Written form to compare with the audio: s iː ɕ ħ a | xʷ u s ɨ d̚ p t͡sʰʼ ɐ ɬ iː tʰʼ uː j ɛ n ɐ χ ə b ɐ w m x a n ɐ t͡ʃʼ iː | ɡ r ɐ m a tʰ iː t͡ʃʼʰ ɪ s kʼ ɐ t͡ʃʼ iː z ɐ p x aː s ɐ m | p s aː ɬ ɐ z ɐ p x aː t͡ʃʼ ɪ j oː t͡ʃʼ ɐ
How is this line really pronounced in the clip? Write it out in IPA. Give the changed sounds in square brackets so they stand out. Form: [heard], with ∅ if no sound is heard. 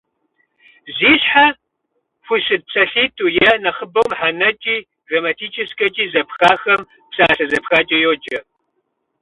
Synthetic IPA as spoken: [z] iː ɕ ħ a | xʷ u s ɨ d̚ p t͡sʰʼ ɐ ɬ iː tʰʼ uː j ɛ n ɐ χ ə b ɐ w m [ħ] a n ɐ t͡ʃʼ iː | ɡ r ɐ m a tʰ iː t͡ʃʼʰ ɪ s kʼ ɐ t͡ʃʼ iː z ɐ p x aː [x] ɐ m | p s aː ɬ ɐ z ɐ p x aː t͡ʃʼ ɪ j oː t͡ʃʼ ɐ